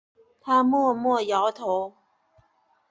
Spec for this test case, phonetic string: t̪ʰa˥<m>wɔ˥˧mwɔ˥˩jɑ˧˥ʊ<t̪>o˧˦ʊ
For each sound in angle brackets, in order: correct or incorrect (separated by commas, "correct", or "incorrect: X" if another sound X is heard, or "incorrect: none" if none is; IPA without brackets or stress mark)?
correct, incorrect: t̪ʰ